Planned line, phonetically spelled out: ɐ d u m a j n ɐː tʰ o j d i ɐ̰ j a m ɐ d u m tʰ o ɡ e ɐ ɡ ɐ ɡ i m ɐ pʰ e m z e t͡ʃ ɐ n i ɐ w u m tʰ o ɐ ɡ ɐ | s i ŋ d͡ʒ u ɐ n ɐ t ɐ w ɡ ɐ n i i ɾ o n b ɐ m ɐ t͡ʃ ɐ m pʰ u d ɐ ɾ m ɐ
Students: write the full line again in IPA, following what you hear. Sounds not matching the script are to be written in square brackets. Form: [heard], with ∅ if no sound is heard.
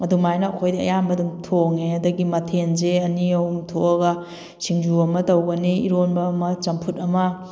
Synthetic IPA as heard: ɐ d u m a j n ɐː [kʰ] o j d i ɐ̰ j a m ɐ d u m tʰ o [ŋ] e ɐ [d] ɐ ɡ i m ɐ [tʰ] e [n] z e [∅] ɐ n i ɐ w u m tʰ o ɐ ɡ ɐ | s i ŋ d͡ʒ u ɐ [m] ɐ t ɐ w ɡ ɐ n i i ɾ o n b ɐ m ɐ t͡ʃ ɐ m pʰ u [t] ɐ [∅] m ɐ